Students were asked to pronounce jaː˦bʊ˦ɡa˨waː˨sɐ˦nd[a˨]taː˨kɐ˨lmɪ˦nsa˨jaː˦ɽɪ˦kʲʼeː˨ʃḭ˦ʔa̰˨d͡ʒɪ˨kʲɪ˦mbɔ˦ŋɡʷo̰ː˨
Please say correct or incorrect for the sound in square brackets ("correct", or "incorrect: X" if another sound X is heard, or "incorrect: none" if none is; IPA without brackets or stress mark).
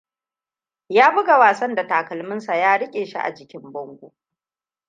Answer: correct